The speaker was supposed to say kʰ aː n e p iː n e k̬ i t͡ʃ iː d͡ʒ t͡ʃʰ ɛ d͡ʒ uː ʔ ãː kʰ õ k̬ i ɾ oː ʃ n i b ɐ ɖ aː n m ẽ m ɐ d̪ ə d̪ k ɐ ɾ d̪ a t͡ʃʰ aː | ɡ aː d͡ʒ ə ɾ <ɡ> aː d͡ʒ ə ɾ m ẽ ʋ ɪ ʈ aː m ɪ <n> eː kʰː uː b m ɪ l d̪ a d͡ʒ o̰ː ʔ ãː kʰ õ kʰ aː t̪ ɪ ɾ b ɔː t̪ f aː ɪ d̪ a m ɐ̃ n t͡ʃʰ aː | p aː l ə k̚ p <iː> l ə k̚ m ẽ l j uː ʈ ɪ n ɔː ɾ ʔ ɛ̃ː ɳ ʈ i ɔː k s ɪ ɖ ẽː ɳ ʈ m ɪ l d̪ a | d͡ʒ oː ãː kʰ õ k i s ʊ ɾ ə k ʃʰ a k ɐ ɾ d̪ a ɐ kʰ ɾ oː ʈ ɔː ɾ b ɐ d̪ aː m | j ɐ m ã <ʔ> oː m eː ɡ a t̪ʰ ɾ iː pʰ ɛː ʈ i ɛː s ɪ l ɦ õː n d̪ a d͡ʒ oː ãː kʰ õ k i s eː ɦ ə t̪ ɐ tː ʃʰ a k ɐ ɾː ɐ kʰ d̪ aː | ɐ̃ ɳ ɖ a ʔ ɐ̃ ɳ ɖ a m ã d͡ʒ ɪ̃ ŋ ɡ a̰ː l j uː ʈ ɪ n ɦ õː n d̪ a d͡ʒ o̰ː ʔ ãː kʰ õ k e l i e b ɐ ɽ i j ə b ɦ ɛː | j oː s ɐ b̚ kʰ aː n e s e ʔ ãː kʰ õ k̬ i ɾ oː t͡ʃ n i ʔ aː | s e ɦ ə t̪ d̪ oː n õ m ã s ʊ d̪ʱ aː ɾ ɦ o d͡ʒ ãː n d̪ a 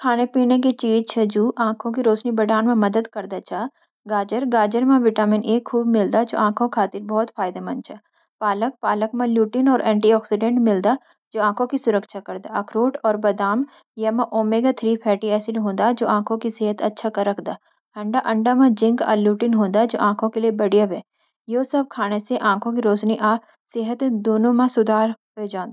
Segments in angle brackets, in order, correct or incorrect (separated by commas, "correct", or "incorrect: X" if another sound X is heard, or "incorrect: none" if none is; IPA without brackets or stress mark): correct, correct, incorrect: aː, correct